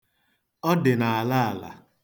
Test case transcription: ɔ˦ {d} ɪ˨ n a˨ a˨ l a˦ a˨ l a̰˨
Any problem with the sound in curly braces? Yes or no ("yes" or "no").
no